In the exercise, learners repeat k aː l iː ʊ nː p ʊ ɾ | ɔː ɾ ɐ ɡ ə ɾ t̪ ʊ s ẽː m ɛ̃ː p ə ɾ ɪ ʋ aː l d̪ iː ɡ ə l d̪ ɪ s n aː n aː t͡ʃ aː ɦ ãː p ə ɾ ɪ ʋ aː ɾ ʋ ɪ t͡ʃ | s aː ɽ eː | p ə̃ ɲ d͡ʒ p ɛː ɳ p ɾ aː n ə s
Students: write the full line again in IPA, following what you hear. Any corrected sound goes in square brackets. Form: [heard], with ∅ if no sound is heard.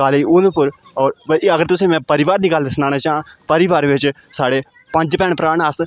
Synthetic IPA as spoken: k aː l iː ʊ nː p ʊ ɾ | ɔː ɾ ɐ ɡ ə ɾ t̪ ʊ s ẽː m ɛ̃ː p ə ɾ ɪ ʋ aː [ɾ] d̪ iː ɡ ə l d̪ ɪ s n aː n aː t͡ʃ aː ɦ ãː p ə ɾ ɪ ʋ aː ɾ ʋ ɪ t͡ʃ | s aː ɽ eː | p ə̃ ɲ d͡ʒ p ɛː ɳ p ɾ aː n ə s